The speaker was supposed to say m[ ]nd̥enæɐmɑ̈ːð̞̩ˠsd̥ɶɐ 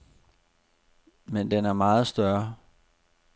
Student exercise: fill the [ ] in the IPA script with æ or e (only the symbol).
e